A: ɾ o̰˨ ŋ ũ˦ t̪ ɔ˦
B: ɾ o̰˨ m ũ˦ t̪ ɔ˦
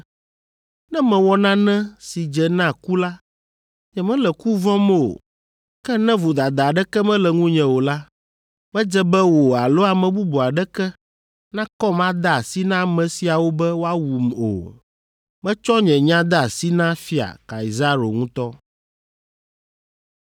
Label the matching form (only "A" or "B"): A